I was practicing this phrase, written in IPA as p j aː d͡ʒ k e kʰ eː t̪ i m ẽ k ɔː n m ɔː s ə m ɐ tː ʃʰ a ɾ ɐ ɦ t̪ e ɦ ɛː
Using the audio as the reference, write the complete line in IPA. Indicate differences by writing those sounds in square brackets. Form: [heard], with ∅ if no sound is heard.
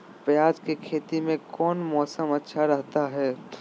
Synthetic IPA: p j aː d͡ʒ k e kʰ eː t̪ i m ẽ k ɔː n m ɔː s ə m ɐ tː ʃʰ a ɾ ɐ ɦ t̪ [a] ɦ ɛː

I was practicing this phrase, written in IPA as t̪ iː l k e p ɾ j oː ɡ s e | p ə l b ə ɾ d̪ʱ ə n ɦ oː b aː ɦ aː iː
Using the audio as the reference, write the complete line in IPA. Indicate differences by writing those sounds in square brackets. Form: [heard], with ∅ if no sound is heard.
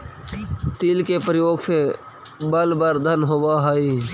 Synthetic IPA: t̪ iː l k e p ɾ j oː ɡ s e | [b] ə l b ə ɾ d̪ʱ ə n ɦ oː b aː ɦ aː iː

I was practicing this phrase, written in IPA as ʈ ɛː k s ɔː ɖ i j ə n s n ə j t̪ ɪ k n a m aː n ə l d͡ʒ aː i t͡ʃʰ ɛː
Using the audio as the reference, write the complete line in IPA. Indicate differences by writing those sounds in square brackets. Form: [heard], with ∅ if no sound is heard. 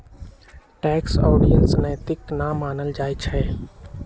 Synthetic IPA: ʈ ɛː k s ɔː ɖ i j ə n s n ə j t̪ ɪ k n a m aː n ə l d͡ʒ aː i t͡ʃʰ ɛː

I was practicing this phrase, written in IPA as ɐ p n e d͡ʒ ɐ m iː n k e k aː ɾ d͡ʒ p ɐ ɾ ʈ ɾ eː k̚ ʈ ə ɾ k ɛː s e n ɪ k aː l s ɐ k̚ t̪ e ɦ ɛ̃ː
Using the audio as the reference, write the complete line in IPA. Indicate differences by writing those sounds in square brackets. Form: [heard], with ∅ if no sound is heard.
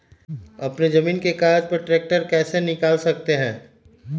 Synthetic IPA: ɐ p n e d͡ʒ ɐ m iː n k e k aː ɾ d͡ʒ p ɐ ɾ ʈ ɾ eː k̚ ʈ ə ɾ k ɛː s e n ɪ k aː l s ɐ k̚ t̪ e ɦ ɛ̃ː

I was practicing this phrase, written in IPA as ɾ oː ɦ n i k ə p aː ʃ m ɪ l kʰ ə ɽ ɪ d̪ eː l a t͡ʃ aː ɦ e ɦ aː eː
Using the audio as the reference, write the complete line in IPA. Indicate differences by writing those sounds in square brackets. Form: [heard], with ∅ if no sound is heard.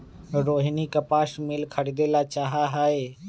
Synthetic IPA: ɾ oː ɦ n i k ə p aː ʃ m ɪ l kʰ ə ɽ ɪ d̪ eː l a t͡ʃ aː ɦ [a] ɦ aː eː

